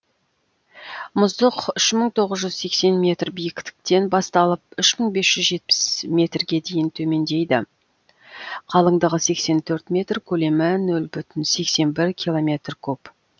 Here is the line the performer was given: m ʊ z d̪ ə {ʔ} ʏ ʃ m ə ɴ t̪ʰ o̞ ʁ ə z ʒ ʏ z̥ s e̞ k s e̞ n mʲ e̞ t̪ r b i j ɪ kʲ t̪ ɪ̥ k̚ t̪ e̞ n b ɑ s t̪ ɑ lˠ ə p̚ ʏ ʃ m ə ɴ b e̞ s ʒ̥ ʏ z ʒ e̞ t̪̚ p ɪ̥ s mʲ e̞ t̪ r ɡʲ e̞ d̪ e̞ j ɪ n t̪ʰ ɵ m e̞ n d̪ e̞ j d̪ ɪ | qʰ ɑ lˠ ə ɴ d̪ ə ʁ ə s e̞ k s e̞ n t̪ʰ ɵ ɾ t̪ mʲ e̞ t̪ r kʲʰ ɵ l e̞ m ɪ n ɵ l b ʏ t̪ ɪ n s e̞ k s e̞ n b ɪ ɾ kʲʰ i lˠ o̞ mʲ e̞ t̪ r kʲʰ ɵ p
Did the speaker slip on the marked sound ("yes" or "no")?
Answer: yes